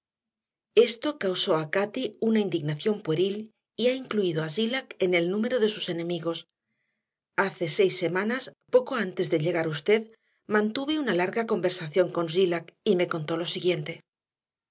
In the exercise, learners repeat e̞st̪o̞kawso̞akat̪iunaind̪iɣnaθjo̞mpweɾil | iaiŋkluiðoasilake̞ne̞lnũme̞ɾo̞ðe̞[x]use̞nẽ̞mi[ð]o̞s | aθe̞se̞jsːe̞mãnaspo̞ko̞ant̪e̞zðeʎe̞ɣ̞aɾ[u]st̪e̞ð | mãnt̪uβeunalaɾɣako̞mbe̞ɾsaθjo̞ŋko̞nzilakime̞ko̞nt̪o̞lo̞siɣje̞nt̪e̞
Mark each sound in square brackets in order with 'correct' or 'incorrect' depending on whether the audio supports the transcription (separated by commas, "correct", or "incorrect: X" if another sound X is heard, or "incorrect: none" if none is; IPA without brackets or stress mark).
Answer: incorrect: s, incorrect: ɣ, correct